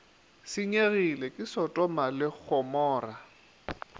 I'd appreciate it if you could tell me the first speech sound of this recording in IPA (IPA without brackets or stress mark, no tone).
s